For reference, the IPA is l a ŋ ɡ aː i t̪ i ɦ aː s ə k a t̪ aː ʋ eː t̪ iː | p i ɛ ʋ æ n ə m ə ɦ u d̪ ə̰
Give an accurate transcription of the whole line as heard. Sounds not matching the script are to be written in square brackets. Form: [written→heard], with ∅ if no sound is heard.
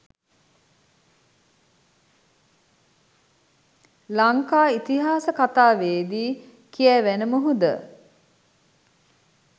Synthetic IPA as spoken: l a ŋ [ɡ→k] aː i t̪ i ɦ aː s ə k a t̪ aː ʋ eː [t̪→d̪] iː | [p→k] i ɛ ʋ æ n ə m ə ɦ u d̪ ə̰